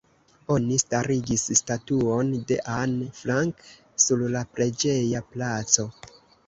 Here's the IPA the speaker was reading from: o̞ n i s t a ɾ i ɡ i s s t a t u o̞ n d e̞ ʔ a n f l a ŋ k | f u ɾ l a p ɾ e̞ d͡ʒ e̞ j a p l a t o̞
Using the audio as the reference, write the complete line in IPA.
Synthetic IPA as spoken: o̞ n i s t a ɾ i ɡ i s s t a t u o̞ n d e̞ ʔ a n f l a ŋ k | s u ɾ l a p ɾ e̞ d͡ʒ e̞ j a p l a t͡s o̞